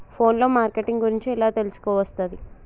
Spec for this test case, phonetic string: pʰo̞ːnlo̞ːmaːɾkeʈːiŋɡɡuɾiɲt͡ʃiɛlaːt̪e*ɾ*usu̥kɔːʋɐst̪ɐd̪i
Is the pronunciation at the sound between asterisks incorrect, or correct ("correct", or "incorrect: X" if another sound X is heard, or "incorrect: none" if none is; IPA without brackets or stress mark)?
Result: incorrect: l